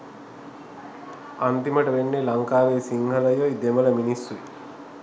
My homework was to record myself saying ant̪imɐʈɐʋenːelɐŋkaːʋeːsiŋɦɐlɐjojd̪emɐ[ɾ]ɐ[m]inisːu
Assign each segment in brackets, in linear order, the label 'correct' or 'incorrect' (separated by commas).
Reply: incorrect, correct